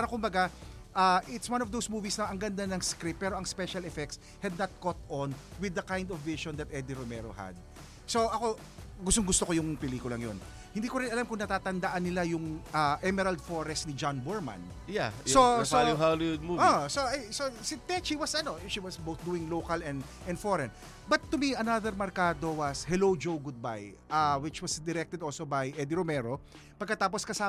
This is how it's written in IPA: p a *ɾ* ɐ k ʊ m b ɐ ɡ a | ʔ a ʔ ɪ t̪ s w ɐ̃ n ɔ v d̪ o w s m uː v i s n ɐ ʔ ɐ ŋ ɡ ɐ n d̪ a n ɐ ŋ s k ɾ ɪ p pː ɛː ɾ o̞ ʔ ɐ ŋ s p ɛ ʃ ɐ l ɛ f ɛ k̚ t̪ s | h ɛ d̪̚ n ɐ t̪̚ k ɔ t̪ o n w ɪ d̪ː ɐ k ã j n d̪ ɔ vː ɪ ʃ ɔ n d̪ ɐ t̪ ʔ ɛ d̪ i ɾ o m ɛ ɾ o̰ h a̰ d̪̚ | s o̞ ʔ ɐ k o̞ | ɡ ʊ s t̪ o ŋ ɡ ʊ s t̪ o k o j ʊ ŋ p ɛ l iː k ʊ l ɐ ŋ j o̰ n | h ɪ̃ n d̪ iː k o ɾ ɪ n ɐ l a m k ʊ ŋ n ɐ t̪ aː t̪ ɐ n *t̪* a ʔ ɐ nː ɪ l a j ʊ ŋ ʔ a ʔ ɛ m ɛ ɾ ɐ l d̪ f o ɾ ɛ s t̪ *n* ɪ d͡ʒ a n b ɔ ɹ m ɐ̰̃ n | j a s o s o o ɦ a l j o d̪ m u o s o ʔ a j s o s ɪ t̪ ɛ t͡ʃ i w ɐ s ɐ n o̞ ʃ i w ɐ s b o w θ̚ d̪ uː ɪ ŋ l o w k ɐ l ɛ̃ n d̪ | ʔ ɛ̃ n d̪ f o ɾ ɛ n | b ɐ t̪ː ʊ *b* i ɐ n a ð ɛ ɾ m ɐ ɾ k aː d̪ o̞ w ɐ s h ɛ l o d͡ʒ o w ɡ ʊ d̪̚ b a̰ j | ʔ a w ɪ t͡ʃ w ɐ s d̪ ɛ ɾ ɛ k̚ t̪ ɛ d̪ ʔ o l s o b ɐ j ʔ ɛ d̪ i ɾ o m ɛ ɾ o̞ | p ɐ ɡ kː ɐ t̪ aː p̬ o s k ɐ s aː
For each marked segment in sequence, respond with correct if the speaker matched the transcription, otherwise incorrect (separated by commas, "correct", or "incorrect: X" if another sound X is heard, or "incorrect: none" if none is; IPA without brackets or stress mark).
correct, incorrect: d̪, correct, incorrect: m